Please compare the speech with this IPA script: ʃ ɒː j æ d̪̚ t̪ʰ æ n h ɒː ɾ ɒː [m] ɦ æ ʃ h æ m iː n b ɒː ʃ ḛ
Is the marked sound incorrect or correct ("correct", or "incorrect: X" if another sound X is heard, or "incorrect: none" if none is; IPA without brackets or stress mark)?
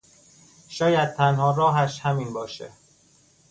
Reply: incorrect: none